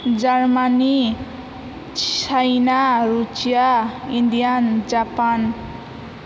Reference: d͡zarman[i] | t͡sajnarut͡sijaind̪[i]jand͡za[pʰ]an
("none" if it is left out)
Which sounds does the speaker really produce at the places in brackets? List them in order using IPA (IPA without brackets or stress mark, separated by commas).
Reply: i, i, p